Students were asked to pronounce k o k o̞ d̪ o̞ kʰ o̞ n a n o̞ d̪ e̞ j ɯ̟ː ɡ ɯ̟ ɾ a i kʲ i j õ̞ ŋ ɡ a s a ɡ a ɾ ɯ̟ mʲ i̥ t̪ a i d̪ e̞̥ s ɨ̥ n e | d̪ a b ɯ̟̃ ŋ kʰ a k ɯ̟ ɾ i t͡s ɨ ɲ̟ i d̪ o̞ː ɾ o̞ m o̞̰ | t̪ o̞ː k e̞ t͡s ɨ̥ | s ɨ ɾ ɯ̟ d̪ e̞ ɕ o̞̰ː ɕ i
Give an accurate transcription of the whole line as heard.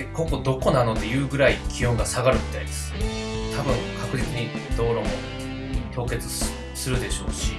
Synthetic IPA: k o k o̞ d̪ o̞ k o̞ n a n o̞ d̪ e̞ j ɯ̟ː ɡ ɯ̟ ɾ a i kʲ i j õ̞ ŋ ɡ a s a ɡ a ɾ ɯ̟ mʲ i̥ t̪ a i d̪ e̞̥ s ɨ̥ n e | t̪ a b ɯ̟̃ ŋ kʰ a k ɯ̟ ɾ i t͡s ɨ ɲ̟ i d̪ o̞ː ɾ o̞ m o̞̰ | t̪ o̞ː k e̞ t͡s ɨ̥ | s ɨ ɾ ɯ̟ d̪ e̞ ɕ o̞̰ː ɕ i